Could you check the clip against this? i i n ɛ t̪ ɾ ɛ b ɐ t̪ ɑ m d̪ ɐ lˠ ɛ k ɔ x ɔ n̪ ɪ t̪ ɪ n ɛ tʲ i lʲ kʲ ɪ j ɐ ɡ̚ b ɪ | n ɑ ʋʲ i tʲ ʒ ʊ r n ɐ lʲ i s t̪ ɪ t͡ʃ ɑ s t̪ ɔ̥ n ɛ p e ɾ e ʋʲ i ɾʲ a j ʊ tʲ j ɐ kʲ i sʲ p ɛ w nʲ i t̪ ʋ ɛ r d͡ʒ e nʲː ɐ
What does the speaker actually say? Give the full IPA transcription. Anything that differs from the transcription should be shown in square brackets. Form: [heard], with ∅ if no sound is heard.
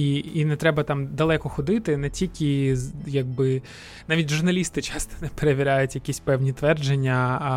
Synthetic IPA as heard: i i n ɛ t̪ ɾ ɛ b ɐ t̪ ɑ m d̪ ɐ lˠ ɛ k ɔ x ɔ [d̪] ɪ t̪ ɪ n ɛ tʲ i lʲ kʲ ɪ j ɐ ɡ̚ b ɪ | n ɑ ʋʲ i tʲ ʒ ʊ r n ɐ lʲ i s t̪ ɪ t͡ʃ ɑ s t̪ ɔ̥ n ɛ p e ɾ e ʋʲ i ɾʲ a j ʊ tʲ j ɐ kʲ i sʲ p ɛ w nʲ i t̪ ʋ ɛ r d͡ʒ e nʲː ɐ